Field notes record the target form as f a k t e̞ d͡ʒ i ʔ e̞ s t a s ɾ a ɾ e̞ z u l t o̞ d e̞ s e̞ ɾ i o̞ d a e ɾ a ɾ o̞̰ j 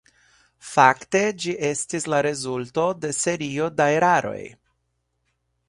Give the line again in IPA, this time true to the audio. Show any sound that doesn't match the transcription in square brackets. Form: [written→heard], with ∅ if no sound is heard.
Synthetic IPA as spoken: f a k t e̞ d͡ʒ i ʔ e̞ s t [a→i] s [ɾ→l] a ɾ e̞ z u l t o̞ d e̞ s e̞ ɾ i o̞ d a e ɾ a ɾ o̞̰ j

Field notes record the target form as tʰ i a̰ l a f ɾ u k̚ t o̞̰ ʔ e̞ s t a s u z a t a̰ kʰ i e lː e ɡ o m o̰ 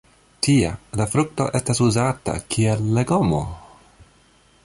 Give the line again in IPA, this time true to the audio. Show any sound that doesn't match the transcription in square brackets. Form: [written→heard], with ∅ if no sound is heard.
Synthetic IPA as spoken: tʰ i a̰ l a f ɾ u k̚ t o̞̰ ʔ e̞ s t a s u z a t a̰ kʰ i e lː e ɡ o m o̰

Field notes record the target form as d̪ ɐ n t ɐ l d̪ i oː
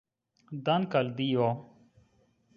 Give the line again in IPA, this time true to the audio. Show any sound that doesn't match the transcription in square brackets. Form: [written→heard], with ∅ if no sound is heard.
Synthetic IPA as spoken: d̪ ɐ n [t→k] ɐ l d̪ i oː

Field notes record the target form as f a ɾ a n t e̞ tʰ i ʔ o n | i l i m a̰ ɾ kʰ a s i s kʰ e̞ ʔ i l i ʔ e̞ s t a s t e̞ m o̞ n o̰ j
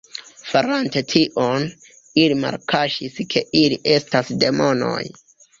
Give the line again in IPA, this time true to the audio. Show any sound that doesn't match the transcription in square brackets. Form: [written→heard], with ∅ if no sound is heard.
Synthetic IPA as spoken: f a ɾ a n t e̞ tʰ i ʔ o n | i l i m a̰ ɾ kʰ a [s→ʃ] i s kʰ e̞ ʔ i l i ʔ e̞ s t a s [t→d] e̞ m o̞ n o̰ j

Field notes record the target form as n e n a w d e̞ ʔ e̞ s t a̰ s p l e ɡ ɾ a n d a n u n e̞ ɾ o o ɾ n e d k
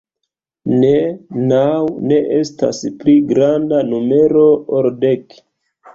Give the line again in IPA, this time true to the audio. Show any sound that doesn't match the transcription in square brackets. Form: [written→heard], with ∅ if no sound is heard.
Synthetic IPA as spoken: n e n a w [d→n] e̞ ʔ e̞ s t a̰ s p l [e→i] ɡ ɾ a n d a n u [n→m] e̞ ɾ o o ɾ [n→d] e [d→∅] k

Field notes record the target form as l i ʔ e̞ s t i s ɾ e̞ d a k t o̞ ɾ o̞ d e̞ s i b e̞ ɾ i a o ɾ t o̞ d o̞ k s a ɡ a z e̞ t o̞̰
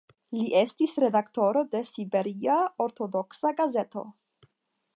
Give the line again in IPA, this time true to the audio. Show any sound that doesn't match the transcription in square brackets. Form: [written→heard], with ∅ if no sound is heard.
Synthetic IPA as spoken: l i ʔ e̞ s t i s ɾ e̞ d a k t o̞ ɾ o̞ d e̞ s i b e̞ ɾ i a o ɾ t o̞ d o̞ k s a ɡ a z e̞ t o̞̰

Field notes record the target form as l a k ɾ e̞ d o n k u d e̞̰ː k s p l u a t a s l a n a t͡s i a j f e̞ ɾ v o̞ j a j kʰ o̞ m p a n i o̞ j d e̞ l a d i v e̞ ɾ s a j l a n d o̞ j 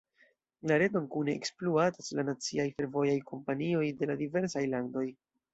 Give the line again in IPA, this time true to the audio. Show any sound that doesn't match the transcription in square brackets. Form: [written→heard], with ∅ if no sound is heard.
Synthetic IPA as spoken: l a [k→∅] ɾ e̞ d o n k u [d→n] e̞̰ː k s p l u a t a s l a n a t͡s i a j f e̞ ɾ v o̞ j a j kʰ o̞ m p a n i o̞ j d e̞ l a d i v e̞ ɾ s a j l a n d o̞ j

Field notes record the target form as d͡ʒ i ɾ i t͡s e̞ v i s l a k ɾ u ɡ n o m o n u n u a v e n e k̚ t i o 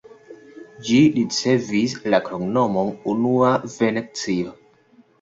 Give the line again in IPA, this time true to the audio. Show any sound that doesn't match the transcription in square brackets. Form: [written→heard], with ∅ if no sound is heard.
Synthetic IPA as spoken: d͡ʒ i ɾ i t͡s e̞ v i s l a k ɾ [u→o] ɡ n o m o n u n u a v e n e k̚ [t→t͡s] i o

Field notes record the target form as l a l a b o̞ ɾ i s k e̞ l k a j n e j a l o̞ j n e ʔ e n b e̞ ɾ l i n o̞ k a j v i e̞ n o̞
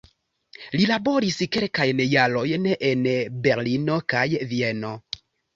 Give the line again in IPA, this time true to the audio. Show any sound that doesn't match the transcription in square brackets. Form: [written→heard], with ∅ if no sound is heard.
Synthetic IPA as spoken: l [a→i] l a b o̞ ɾ i s k e̞ l k a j n e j a l o̞ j n e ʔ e n b e̞ ɾ l i n o̞ k a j v i e̞ n o̞

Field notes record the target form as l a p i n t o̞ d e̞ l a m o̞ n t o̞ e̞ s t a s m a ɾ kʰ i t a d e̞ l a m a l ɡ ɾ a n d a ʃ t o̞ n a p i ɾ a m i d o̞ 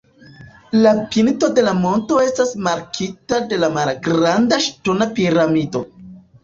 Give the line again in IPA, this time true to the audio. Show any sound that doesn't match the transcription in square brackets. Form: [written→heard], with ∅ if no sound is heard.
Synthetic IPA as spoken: l a p i n t o̞ d e̞ l a m o̞ n t o̞ e̞ s t a s m a ɾ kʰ i t a d e̞ l a m a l ɡ ɾ a n d a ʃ t o̞ n a p i ɾ a m i d o̞

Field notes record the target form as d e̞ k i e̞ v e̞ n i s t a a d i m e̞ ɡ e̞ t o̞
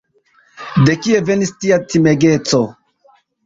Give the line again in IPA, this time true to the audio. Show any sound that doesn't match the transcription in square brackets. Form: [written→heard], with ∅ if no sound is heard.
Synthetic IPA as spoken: d e̞ k i e̞ v e̞ n i s t [a→i] a [d→t] i m e̞ ɡ e̞ [t→t͡s] o̞

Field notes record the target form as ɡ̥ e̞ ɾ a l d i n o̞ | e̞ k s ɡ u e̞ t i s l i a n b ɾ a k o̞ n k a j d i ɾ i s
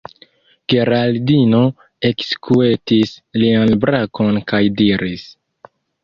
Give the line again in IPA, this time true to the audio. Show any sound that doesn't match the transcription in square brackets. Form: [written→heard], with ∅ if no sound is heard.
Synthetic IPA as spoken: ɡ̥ e̞ ɾ a l d i n o̞ | e̞ k s [ɡ→k] u e̞ t i s l i a n b ɾ a k o̞ n k a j d i ɾ i s

